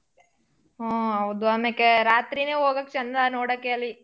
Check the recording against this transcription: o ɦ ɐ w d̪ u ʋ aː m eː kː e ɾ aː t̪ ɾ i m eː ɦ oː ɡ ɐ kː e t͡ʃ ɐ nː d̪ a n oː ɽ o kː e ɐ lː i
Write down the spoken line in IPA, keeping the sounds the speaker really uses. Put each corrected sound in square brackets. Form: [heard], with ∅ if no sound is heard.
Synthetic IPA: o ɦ ɐ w d̪ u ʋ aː m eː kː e ɾ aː t̪ ɾ i [n] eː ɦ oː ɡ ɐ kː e t͡ʃ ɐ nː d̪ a n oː ɽ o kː e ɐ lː i